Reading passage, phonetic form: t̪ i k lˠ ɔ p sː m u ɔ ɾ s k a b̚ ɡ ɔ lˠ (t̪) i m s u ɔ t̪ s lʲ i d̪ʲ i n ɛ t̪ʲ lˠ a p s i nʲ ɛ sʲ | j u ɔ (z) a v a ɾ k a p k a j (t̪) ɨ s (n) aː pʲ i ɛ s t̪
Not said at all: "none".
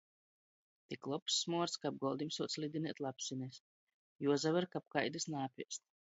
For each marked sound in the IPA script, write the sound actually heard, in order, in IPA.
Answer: d̪, z, d̪, n

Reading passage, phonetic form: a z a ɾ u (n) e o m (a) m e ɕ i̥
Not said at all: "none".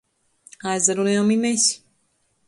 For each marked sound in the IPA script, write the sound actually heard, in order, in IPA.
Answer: n, i

